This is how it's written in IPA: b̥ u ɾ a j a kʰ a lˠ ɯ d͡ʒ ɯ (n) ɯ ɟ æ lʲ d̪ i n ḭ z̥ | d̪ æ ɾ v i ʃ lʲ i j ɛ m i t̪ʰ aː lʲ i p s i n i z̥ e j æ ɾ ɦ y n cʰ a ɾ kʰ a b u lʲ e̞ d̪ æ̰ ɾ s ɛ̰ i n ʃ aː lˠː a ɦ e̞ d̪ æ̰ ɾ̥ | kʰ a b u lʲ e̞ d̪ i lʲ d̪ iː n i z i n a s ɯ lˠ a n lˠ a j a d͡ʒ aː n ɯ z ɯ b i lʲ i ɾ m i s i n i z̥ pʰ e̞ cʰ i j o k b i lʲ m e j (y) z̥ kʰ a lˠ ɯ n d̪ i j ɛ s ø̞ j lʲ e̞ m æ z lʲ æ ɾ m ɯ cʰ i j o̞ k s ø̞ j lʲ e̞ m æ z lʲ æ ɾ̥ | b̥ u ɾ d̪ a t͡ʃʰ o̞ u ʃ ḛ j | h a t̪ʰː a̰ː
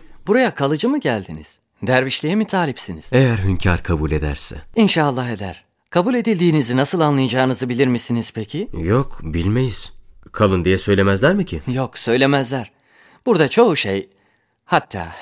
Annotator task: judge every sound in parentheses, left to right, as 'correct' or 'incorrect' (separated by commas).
incorrect, incorrect